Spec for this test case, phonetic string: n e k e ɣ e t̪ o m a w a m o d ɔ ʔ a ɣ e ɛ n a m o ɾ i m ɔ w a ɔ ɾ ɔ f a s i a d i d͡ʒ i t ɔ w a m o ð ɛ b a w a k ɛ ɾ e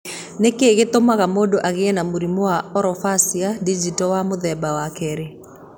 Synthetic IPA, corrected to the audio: n e k e ɣ e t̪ o m a ɣ a m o d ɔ ʔ a ɣ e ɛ n a m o ɾ i m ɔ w a ɔ ɾ ɔ f a s i a d i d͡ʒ i t ɔ w a m o ð ɛ b a w a k ɛ ɾ e

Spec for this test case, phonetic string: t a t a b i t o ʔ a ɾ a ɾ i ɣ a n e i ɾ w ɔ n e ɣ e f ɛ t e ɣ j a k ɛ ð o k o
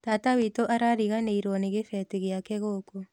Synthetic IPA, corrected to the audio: t a t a w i t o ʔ a ɾ a ɾ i ɣ a n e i ɾ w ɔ n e ɣ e f ɛ t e ɣ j a k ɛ ɣ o k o

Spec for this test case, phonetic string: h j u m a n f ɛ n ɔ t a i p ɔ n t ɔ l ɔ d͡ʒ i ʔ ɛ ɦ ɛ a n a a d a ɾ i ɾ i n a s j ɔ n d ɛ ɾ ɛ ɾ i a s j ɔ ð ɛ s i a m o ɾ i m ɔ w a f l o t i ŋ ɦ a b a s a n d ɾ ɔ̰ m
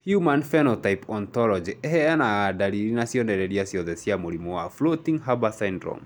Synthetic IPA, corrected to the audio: h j u m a n f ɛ n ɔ t a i p ɔ n t ɔ l ɔ d͡ʒ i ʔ ɛ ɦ ɛ a n a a d a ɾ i ɾ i n a s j ɔ n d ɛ ɾ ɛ ɾ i a s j ɔ ð ɛ s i a m o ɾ i m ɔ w a f l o t i ŋ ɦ a b a s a n d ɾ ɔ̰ m

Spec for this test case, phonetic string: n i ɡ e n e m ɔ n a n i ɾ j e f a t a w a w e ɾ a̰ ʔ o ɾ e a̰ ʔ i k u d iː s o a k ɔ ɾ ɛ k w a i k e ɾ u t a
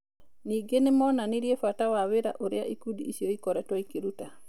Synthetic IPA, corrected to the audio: n i ɡ e n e m ɔ n a n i ɾ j e f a t a w a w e ɾ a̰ ʔ o ɾ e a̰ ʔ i k u d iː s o i k ɔ ɾ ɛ t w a i k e ɾ u t a

